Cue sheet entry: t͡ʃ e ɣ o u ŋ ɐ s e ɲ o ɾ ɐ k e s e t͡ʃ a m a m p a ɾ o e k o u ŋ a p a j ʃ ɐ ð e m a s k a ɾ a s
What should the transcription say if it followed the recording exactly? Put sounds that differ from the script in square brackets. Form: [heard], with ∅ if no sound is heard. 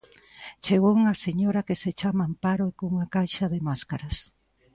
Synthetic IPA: t͡ʃ e ɣ o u ŋ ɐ s e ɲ o ɾ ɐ k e s e t͡ʃ a m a m p a ɾ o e k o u ŋ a [k] a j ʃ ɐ ð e m a s k a ɾ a s